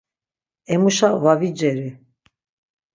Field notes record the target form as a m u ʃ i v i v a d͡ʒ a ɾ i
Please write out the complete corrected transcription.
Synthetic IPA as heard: ɛ m u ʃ a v a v i d͡ʒ ɛ ɾ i